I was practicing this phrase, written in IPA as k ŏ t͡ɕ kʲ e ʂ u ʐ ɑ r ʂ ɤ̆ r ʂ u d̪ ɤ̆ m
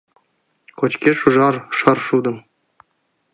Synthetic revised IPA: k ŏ t͡ɕ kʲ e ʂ u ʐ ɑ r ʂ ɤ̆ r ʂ u d̪ ɤ̆ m